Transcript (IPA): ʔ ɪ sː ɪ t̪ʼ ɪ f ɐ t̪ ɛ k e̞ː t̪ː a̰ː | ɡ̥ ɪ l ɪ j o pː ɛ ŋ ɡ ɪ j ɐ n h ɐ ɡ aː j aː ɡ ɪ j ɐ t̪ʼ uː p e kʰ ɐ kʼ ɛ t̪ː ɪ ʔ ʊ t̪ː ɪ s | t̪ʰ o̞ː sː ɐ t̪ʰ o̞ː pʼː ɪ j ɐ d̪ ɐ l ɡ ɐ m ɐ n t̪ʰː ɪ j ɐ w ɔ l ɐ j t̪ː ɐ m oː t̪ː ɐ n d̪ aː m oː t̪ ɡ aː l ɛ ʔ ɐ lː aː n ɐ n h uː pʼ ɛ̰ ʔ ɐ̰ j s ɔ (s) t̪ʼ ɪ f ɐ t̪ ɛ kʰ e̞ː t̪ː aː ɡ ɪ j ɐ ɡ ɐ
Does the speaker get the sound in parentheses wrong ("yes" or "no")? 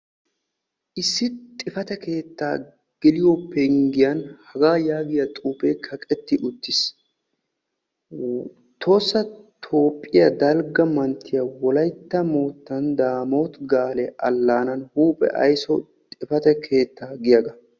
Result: yes